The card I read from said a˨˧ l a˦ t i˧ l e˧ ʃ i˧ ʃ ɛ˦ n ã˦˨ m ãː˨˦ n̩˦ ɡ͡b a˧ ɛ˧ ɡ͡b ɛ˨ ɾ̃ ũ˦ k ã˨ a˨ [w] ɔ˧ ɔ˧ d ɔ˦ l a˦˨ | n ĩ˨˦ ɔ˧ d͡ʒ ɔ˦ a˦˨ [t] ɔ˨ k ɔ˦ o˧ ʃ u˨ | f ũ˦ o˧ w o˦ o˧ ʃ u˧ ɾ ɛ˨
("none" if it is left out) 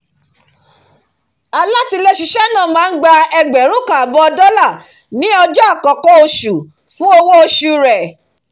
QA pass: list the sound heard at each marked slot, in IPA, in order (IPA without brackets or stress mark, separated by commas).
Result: b, k